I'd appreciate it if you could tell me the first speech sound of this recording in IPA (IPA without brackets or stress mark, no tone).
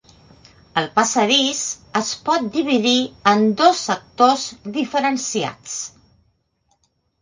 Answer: ə